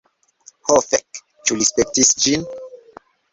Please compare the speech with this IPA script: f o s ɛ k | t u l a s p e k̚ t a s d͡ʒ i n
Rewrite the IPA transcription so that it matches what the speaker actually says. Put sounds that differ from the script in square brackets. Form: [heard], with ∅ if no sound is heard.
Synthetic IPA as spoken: [h] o [f] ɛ k | [t͡ʃ] u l [i] s p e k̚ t [i] s d͡ʒ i n